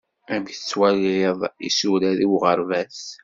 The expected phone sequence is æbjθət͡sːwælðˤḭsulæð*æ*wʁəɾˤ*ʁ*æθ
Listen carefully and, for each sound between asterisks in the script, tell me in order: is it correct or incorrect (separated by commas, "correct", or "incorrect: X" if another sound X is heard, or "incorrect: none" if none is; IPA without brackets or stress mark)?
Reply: incorrect: i, incorrect: v